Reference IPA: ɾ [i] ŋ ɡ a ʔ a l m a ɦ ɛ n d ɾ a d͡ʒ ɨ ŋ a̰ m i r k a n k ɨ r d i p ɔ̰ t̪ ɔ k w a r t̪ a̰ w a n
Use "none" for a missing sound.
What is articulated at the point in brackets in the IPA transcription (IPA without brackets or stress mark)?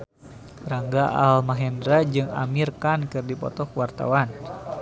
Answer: a